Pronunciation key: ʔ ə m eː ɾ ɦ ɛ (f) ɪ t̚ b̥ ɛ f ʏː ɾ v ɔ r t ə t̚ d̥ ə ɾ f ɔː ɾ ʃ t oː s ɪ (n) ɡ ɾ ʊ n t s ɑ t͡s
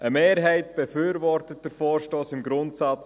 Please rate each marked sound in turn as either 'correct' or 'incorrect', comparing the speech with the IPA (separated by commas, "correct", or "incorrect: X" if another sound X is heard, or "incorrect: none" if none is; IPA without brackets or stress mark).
incorrect: none, incorrect: m